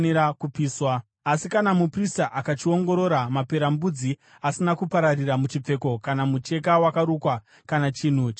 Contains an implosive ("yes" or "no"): no